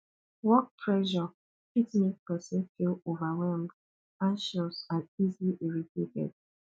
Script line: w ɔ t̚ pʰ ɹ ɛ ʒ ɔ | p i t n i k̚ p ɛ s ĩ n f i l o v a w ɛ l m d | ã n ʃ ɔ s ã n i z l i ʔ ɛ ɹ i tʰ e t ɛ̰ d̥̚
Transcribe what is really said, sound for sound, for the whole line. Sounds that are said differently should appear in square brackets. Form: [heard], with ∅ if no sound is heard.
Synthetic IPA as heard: w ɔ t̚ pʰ ɹ ɛ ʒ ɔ | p i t n i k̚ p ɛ s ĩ n f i l o v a w ɛ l m d | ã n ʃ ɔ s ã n i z l i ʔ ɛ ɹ i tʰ e t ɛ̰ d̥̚